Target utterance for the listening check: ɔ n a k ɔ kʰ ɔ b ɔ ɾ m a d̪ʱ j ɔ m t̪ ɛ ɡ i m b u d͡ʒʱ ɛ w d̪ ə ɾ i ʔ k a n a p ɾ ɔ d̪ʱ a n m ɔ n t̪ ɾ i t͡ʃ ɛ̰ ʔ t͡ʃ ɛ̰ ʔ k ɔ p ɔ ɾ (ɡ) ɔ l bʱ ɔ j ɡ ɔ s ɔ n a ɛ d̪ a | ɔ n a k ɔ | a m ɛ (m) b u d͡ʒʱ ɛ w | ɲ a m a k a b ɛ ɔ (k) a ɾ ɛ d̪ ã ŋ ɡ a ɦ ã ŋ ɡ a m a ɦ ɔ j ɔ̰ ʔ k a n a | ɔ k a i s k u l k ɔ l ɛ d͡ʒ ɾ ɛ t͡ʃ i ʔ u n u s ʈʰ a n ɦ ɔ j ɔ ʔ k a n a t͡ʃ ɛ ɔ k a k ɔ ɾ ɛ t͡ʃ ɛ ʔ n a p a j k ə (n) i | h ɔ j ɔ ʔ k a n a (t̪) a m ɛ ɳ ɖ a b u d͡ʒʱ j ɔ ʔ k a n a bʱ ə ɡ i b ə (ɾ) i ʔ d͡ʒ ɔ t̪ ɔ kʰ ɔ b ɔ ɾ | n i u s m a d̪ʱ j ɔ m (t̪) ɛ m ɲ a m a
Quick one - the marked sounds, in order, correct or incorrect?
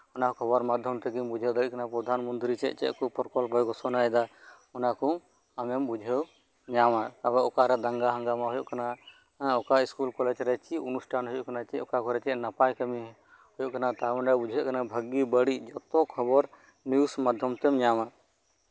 incorrect, correct, correct, incorrect, correct, incorrect, correct

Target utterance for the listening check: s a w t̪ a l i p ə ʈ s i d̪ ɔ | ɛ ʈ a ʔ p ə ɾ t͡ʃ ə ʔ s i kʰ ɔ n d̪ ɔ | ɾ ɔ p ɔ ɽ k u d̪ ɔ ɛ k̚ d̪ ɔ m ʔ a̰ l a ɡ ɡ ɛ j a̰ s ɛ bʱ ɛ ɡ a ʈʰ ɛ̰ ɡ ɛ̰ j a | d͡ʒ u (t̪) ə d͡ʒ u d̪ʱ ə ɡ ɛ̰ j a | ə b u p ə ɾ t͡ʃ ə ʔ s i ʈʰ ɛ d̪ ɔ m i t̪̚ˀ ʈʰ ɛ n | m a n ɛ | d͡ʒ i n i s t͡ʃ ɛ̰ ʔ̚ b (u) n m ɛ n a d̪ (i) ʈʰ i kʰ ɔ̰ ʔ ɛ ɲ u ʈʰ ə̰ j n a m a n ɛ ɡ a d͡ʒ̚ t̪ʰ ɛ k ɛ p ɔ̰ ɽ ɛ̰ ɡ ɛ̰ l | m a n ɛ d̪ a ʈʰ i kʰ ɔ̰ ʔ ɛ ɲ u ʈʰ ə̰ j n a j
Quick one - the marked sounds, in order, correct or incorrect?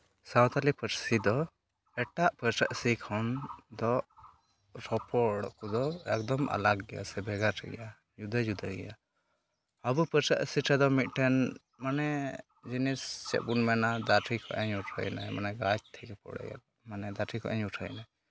incorrect, correct, incorrect

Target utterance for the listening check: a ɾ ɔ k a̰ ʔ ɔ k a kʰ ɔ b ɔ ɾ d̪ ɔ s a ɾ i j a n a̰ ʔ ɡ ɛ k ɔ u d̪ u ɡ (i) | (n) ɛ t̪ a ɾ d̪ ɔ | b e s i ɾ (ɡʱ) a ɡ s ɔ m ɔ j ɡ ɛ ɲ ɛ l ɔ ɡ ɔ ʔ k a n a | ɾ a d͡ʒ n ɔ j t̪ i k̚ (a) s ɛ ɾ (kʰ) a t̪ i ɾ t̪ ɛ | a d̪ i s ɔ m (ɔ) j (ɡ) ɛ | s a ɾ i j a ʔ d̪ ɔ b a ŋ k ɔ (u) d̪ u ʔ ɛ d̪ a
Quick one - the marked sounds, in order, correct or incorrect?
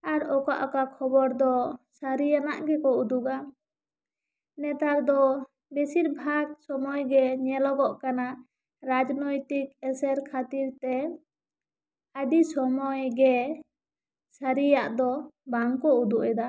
incorrect, correct, incorrect, incorrect, correct, correct, correct, correct

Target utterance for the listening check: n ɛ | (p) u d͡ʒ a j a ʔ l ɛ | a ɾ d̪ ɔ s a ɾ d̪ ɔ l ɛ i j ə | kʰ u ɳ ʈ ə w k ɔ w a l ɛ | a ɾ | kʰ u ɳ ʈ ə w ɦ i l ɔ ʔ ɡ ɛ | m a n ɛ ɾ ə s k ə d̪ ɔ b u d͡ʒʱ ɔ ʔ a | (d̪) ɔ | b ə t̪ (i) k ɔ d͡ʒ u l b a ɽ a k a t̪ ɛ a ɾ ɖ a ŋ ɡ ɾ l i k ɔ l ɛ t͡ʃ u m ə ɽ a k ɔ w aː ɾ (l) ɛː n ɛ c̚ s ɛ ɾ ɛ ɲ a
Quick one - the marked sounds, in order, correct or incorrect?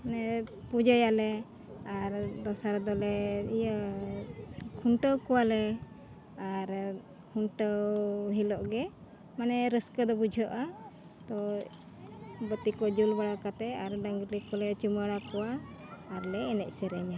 correct, incorrect, correct, correct

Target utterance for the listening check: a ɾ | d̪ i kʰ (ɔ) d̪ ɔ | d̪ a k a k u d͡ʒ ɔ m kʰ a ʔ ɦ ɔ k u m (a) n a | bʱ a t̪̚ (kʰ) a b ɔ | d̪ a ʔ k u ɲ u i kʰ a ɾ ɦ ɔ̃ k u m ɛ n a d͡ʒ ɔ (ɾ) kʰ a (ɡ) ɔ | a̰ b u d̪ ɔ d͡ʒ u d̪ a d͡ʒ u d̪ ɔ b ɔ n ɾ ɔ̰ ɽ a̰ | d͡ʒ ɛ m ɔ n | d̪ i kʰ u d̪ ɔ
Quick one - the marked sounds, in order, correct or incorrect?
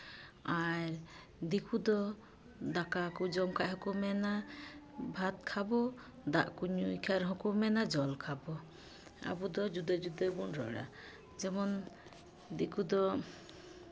incorrect, incorrect, correct, incorrect, incorrect

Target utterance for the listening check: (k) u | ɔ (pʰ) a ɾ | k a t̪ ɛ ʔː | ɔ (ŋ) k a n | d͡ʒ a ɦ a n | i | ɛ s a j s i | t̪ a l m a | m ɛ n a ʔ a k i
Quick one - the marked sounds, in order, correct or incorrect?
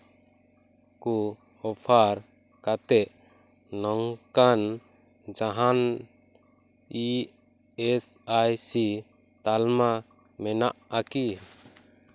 correct, correct, correct

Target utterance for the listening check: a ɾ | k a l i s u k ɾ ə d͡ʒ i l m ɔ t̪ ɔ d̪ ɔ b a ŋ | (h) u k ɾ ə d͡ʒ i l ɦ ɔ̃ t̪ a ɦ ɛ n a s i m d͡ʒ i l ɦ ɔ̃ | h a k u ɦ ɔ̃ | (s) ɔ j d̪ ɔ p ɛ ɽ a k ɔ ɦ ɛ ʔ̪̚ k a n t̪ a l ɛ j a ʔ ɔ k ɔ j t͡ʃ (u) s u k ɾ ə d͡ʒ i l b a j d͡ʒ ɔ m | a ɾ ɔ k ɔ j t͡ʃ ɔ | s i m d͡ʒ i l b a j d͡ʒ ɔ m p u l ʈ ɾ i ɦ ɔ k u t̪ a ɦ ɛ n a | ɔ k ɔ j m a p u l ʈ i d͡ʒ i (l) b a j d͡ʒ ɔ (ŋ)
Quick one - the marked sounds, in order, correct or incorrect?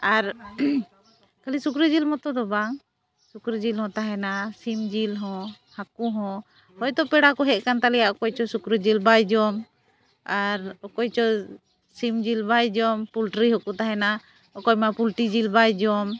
incorrect, incorrect, incorrect, correct, incorrect

